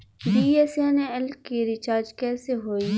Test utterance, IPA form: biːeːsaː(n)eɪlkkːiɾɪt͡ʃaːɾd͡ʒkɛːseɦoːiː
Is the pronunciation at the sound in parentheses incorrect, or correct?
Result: correct